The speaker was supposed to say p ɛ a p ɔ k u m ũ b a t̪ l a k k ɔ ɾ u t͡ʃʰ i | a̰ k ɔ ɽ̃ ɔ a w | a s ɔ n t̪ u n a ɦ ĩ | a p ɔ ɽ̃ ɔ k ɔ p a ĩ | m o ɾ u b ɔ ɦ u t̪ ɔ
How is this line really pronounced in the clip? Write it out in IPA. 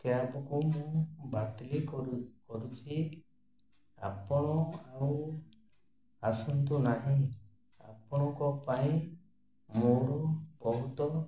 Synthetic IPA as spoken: k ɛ a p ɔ k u m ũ b a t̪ l i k k ɔ ɾ u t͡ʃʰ i | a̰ p ɔ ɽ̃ ɔ a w | a s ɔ n t̪ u n a ɦ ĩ | a p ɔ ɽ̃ ɔ k ɔ p a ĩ | m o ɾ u b ɔ ɦ u t̪ ɔ